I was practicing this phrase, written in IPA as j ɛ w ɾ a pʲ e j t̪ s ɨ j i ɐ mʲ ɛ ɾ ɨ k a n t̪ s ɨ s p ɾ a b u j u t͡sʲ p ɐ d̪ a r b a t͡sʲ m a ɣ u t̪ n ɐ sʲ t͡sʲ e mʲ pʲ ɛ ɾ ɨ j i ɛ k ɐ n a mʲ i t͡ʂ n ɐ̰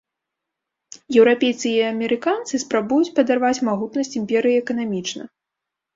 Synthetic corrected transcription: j ɛ w ɾ a pʲ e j t̪ s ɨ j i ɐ mʲ ɛ ɾ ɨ k a n t̪ s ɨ s p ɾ a b u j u t͡sʲ p ɐ d̪ a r v a t͡sʲ m a ɣ u t̪ n ɐ sʲ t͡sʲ i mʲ pʲ ɛ ɾ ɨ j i ɛ k ɐ n a mʲ i t͡ʂ n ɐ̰